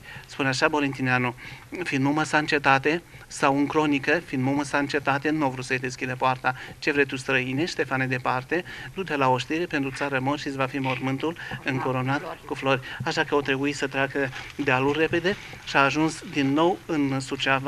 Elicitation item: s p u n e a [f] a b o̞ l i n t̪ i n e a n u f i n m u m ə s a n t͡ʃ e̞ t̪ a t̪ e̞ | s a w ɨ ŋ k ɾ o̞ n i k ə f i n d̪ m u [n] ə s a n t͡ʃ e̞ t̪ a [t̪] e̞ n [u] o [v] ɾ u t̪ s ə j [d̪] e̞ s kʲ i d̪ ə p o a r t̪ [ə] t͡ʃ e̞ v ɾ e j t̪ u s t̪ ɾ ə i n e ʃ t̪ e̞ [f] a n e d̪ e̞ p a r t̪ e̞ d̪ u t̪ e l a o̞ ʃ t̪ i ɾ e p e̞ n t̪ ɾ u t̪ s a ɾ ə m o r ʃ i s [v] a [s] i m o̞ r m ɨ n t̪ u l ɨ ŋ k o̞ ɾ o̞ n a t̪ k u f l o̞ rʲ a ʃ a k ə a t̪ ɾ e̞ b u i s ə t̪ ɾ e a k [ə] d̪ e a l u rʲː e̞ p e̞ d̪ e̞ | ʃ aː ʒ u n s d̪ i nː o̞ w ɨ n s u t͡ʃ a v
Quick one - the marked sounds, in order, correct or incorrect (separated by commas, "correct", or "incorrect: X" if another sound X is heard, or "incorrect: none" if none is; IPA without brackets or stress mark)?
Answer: incorrect: ʃ, incorrect: m, correct, correct, correct, correct, incorrect: a, correct, correct, incorrect: f, correct